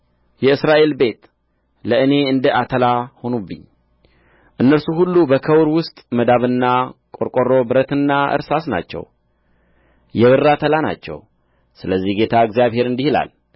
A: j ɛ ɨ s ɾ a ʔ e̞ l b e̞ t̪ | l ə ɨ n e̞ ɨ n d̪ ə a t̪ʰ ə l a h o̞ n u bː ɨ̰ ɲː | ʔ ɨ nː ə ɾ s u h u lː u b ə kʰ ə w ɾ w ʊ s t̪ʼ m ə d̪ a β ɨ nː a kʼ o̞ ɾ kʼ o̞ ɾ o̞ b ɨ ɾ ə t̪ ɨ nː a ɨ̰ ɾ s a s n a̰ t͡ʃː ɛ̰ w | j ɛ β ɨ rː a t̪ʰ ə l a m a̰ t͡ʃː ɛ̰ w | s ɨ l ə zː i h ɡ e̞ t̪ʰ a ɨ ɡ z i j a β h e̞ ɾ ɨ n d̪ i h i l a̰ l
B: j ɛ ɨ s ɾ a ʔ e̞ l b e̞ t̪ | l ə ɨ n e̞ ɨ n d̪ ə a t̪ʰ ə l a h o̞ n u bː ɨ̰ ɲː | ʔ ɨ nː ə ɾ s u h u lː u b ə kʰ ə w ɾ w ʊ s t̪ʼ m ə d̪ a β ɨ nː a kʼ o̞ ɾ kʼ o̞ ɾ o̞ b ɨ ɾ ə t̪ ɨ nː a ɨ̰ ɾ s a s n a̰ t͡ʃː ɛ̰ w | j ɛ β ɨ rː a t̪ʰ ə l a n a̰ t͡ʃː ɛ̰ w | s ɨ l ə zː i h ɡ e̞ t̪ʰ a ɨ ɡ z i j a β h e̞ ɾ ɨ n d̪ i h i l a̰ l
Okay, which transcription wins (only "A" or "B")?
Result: B